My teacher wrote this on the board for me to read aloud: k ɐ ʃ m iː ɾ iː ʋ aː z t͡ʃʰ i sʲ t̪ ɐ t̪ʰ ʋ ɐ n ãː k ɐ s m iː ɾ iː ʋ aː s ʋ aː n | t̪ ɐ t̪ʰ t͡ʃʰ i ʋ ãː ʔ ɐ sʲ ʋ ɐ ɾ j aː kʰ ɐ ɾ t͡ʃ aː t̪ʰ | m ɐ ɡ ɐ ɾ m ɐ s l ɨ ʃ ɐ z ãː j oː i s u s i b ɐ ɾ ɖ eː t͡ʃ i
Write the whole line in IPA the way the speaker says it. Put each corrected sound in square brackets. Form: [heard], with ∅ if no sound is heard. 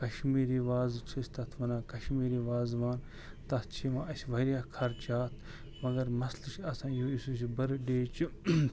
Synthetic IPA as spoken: k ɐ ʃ m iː ɾ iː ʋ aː z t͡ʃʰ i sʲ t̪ ɐ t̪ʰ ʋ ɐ n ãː k ɐ [ʃ] m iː ɾ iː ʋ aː [z] ʋ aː n | t̪ ɐ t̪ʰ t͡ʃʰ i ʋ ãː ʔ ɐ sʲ ʋ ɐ ɾ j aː kʰ ɐ ɾ t͡ʃ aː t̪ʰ | m ɐ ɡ ɐ ɾ m ɐ s l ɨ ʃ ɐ [s] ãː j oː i s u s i b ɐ ɾ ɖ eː t͡ʃ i